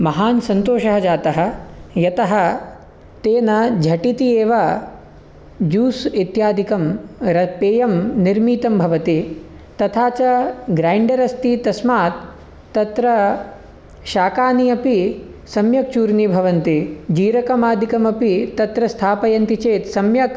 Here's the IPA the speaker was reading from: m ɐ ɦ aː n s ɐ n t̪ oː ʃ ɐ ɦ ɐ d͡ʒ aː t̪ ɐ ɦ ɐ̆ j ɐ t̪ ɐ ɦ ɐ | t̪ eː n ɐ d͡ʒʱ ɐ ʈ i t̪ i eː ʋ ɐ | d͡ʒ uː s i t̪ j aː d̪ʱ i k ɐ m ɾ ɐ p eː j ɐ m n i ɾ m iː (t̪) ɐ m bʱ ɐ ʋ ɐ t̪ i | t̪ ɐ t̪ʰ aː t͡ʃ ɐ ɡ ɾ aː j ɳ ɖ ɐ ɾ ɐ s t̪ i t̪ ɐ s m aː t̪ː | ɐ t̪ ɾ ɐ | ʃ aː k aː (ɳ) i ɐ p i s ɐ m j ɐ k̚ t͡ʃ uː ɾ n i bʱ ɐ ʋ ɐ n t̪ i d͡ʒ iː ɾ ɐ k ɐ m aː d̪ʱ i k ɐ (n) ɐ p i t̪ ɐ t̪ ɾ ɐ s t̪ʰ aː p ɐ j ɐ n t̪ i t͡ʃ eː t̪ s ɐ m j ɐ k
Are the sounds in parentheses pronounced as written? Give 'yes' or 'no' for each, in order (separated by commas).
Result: yes, no, no